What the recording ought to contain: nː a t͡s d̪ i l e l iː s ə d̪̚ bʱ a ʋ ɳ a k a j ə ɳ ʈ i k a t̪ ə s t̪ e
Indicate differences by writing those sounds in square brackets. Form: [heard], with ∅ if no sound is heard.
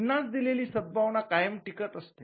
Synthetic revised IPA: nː a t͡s d̪ i l e l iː s ə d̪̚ bʱ a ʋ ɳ a k a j ə [m] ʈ i k [ə] t̪ ə s t̪ e